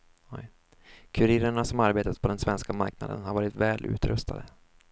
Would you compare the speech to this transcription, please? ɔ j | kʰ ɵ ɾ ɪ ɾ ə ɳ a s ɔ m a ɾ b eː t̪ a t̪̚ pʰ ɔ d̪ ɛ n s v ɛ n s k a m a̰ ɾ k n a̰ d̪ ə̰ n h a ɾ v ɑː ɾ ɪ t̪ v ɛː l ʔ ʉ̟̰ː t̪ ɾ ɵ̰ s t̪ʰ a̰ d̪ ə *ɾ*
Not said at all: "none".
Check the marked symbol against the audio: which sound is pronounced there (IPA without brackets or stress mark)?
none